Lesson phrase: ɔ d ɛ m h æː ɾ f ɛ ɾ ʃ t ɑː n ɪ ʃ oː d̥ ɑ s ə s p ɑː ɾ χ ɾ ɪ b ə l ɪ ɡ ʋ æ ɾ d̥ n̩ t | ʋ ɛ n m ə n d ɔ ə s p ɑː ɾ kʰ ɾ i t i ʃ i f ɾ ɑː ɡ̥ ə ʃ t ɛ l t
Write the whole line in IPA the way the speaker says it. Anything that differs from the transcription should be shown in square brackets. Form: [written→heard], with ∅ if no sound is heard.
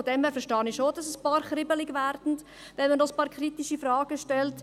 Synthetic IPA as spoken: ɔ d ɛ m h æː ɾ f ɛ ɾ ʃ t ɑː n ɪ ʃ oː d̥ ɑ s ə s p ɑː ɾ χ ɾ ɪ b ə l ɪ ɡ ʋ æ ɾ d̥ n̩ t | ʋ ɛ n m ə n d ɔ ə s p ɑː ɾ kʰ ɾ i t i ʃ i f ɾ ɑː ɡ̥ ə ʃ t ɛ l t

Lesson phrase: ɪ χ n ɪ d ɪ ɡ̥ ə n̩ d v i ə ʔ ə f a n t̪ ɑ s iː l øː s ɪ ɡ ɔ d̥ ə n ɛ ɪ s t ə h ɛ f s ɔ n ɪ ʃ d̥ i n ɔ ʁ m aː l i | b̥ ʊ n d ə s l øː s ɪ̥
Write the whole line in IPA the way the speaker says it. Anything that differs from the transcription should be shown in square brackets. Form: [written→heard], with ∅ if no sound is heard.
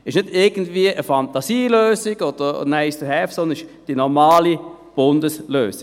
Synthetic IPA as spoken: ɪ [χ→ʃ] n ɪ d ɪ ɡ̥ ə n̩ d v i ə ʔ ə f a n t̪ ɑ s iː l øː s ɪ ɡ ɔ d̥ ə n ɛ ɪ s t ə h ɛ f s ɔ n ɪ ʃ d̥ i n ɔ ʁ m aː l i | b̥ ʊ n d ə s l øː s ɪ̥

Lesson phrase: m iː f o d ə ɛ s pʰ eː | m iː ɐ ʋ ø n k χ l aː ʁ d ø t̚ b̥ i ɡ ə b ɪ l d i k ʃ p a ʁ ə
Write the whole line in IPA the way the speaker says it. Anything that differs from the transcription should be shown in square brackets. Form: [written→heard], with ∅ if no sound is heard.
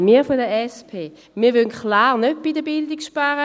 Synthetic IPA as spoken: m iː f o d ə ɛ s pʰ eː | m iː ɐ ʋ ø n k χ l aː ʁ [d→n] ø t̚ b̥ i [ɡ→d] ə b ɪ l d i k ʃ p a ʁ ə

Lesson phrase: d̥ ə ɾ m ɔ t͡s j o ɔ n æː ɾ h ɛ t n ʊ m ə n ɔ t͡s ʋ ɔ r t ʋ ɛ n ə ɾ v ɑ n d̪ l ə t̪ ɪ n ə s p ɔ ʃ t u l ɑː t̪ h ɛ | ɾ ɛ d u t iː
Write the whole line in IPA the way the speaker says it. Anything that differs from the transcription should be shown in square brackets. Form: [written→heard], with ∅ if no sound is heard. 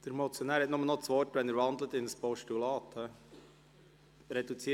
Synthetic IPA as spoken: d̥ ə ɾ m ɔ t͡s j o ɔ n æː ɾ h ɛ t n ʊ m ə n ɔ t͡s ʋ ɔ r t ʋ ɛ n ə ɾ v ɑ n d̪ l ə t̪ ɪ n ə s p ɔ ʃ t u l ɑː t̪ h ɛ | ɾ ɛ d u [t→t͡s] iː

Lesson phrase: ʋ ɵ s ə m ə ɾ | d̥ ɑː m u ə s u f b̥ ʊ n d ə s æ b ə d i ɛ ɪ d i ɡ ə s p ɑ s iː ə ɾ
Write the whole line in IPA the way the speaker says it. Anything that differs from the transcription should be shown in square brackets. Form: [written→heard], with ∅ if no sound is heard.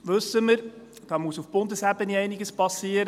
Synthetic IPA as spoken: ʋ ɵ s ə m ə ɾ | d̥ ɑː m u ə s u f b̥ ʊ n d ə s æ b ə [d→n] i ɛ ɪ [d→n] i ɡ ə s p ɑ s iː ə ɾ

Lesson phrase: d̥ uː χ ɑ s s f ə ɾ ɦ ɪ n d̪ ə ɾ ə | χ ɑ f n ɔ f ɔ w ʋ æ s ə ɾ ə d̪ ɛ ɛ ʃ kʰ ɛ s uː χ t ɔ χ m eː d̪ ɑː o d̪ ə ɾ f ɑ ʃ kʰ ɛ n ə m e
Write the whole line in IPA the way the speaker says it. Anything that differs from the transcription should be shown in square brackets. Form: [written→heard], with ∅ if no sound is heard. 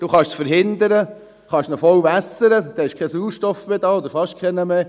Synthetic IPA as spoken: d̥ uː χ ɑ [s→ʃ] s f ə ɾ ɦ ɪ n d̪ ə ɾ ə | χ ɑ [f→ʃ] n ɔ f ɔ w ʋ æ s ə ɾ ə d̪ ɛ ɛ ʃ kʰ ɛ s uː [χ→ʃ] t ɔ [χ→f] m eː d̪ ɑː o d̪ ə ɾ f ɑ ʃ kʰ ɛ n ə m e

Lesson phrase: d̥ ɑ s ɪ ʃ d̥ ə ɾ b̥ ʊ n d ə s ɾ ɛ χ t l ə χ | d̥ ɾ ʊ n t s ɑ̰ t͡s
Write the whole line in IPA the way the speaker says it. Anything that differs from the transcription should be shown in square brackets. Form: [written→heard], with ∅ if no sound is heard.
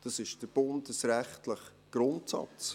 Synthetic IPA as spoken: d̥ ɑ s ɪ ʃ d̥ ə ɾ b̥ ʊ n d ə s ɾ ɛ χ t l ə χ | [d̥→ɡ̥] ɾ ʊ n t s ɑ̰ t͡s

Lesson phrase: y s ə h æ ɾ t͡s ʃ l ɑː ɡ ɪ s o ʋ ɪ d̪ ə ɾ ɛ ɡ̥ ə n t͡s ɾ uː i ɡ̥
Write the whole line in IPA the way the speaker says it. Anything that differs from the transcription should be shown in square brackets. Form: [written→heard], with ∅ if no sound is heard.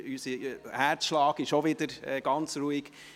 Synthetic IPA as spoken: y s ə h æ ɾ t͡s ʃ l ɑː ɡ ɪ [s→ʃ] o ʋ ɪ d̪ ə ɾ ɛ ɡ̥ [ə→ɑ] n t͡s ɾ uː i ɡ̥

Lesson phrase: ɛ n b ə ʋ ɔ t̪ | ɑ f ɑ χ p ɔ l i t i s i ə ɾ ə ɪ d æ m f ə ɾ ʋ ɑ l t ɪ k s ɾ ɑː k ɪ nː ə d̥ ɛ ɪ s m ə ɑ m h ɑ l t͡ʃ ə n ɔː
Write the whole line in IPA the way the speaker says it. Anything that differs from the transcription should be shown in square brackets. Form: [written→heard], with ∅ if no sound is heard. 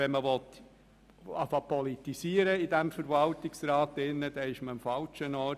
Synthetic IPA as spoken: ɛ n [b→m] ə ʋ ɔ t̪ | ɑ f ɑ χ p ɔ l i t i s i ə ɾ ə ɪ d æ m f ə ɾ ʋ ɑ l t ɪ k s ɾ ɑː [k→t] ɪ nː ə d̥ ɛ ɪ [s→ʃ] m ə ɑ m [h→f] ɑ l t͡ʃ ə n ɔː

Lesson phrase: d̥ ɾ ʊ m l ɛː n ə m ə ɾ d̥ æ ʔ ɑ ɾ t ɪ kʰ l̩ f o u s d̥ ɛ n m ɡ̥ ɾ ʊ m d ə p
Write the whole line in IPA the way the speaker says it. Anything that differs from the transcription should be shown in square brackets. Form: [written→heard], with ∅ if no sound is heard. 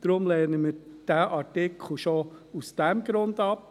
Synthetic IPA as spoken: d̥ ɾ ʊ m l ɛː n ə m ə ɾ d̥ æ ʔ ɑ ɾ t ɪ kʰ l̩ [f→ʃ] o u s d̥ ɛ [n→∅] m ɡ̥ ɾ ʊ [m→n] d [ə→ɑ] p

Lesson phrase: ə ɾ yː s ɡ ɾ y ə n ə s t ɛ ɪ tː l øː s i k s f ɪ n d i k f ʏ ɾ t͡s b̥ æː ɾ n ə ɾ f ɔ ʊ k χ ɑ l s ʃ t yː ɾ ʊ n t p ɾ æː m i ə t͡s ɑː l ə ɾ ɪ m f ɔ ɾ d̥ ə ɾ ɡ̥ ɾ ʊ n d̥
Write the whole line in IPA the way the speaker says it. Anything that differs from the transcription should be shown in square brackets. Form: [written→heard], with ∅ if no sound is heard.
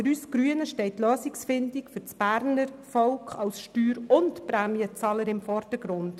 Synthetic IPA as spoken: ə ɾ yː s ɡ ɾ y ə n ə [s→ʃ] t ɛ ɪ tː l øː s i k s f ɪ n d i k f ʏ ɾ t͡s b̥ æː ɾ n ə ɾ f ɔ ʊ k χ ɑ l s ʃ t yː ɾ ʊ n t p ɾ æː m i ə t͡s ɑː l ə ɾ ɪ m f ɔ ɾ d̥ ə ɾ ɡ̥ ɾ ʊ n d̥

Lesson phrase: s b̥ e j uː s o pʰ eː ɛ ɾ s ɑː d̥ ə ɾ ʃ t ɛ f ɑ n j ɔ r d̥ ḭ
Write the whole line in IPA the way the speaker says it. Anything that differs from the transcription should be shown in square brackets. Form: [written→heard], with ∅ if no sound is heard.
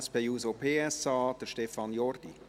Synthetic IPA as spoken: s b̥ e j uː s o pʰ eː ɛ [ɾ→∅] s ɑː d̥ ə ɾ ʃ t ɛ f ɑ n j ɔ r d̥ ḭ

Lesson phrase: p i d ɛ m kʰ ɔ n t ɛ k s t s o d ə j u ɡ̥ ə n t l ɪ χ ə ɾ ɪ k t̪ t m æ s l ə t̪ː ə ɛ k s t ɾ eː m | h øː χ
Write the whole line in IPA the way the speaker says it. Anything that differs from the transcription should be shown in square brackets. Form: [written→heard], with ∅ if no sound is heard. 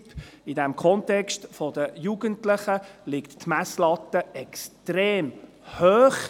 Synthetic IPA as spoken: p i d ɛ m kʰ ɔ n t ɛ k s t [s→f] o d ə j u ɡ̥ ə n t l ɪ χ ə [ɾ→l] ɪ k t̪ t m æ s l [ə→ɑ] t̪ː ə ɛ k s t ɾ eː m | h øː χ

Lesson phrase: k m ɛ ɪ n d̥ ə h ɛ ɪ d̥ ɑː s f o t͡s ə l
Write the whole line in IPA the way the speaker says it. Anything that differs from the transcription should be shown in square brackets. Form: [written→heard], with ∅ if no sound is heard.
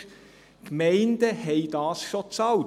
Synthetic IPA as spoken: k m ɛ ɪ n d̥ ə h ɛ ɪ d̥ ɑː s [f→ʃ] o t͡s [ə→ɑ] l

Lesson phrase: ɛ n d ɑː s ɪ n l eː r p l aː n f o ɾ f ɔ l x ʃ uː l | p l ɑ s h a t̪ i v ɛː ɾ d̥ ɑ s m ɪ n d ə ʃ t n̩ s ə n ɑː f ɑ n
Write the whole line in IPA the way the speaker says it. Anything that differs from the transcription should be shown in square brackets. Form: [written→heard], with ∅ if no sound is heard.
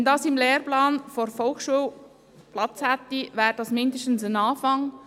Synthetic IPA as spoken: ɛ n d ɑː s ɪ [n→m] l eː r p l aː n f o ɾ f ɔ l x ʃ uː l | p l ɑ [s→t͡s] h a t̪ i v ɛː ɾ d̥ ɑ s m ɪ n d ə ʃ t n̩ s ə n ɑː f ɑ [n→ŋ]

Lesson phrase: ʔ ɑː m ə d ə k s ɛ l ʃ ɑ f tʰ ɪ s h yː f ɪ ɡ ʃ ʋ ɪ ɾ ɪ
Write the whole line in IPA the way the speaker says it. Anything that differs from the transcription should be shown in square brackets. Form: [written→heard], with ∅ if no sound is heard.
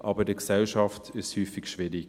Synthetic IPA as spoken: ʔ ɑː [m→b] ə d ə k s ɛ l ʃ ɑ f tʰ ɪ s h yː f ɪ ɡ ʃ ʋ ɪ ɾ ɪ

